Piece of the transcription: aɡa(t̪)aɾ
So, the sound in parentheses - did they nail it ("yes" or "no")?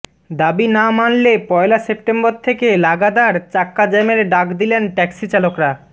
no